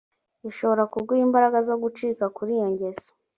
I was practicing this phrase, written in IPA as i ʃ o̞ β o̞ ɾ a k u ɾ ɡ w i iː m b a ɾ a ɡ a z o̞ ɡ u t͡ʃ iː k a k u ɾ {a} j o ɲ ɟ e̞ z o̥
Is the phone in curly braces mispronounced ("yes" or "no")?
yes